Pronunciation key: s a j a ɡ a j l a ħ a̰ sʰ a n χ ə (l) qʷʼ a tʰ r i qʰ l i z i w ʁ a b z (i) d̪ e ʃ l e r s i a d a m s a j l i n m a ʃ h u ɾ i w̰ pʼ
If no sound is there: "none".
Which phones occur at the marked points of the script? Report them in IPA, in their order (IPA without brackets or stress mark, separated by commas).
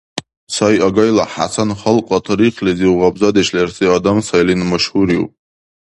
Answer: l, a